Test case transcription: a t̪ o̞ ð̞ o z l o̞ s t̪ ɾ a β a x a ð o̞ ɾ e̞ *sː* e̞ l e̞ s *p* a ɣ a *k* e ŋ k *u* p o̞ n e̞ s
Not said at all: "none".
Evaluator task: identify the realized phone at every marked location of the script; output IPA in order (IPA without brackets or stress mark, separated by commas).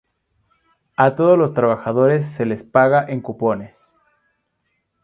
sː, p, ʔ, u